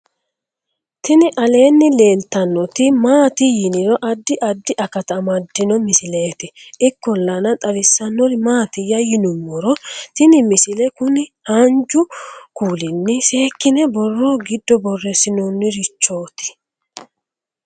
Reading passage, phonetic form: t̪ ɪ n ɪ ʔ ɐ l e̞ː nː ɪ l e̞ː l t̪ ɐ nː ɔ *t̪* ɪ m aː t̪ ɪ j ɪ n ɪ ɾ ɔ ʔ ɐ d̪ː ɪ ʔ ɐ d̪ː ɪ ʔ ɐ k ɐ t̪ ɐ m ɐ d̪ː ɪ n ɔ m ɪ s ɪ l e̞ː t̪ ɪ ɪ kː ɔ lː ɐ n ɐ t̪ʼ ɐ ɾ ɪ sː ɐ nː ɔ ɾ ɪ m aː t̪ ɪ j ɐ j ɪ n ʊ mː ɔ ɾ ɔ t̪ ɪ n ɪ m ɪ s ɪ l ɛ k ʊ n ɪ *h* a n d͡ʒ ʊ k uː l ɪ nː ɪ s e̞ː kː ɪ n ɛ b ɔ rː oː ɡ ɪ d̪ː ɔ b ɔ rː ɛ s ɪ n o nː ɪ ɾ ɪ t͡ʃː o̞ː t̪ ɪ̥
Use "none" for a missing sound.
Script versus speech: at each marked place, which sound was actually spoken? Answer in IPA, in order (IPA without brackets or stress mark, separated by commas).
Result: t̪, h